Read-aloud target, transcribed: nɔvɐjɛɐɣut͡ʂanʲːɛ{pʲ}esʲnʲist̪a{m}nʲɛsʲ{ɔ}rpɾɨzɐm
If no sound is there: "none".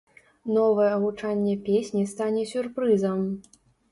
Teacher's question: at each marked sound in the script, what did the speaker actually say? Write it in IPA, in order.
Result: pʲ, none, u

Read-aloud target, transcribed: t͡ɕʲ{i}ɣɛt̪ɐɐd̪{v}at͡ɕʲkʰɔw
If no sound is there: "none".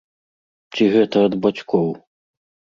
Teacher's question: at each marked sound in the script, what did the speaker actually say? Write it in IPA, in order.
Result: i, b

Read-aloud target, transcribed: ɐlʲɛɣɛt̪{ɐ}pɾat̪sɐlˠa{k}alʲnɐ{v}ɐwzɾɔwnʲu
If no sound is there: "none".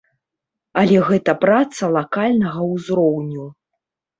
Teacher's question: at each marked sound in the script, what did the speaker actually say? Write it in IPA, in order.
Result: ɐ, k, ɣ

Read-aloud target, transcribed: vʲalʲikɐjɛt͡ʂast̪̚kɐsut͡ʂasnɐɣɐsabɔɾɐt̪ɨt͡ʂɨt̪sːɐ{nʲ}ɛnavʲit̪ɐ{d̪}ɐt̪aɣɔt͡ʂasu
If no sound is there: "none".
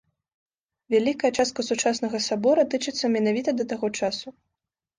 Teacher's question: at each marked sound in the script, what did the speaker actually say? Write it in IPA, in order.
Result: mʲ, d̪

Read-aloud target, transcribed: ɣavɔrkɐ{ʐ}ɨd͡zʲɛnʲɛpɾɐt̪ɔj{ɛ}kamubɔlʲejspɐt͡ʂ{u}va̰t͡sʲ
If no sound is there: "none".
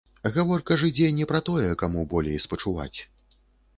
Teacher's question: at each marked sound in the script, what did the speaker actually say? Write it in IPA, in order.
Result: ʐ, ɛ, u

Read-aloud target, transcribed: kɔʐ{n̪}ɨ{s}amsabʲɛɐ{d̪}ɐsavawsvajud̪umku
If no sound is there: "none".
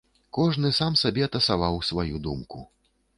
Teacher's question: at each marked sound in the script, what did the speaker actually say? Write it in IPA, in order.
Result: n̪, s, t̪

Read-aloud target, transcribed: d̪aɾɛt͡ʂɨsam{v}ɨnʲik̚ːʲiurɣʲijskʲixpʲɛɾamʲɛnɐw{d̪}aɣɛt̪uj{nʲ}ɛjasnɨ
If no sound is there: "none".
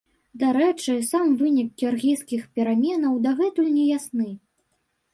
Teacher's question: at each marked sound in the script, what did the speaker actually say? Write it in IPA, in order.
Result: v, d̪, nʲ

